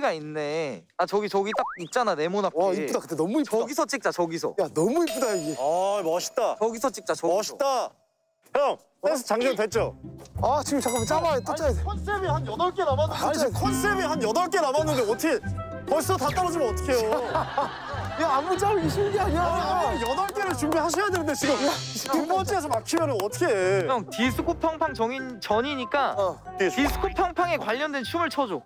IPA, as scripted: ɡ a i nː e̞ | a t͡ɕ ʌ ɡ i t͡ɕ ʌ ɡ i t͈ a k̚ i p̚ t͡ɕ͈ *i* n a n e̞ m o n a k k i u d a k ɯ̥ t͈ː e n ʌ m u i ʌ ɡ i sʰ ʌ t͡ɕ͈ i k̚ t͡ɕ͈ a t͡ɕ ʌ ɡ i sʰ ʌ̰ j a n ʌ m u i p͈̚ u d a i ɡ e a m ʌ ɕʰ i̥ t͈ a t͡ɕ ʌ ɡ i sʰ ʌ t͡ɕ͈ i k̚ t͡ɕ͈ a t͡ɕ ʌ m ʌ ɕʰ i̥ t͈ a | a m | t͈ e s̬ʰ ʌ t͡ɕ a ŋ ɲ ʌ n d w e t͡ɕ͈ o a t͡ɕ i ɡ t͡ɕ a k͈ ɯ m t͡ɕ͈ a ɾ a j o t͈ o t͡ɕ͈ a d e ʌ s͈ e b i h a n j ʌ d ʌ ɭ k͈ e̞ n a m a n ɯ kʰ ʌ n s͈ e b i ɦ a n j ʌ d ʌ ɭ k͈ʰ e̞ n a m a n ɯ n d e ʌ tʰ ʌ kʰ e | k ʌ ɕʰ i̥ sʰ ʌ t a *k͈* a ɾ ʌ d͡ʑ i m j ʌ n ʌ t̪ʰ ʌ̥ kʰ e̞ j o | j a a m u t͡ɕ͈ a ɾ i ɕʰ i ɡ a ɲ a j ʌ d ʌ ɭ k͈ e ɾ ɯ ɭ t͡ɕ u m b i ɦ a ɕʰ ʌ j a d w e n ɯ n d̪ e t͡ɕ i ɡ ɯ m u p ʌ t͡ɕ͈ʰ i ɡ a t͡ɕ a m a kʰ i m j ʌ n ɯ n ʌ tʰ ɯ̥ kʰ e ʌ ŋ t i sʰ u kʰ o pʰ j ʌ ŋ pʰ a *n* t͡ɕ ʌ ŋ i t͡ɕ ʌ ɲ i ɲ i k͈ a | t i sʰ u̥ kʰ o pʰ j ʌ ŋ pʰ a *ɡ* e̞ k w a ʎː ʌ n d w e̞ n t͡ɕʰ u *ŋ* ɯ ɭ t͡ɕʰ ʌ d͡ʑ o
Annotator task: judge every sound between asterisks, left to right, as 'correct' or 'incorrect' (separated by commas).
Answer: incorrect, incorrect, incorrect, incorrect, incorrect